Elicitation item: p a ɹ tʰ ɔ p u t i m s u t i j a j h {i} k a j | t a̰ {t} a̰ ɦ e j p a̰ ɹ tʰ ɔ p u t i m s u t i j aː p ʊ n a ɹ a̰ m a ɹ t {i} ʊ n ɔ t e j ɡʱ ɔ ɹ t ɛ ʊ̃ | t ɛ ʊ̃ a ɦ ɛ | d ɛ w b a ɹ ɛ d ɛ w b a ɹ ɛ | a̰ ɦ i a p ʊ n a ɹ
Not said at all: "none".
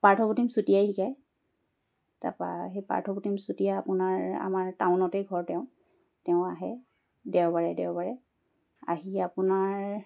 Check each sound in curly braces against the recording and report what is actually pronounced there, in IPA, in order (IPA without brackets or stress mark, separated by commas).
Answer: i, p, a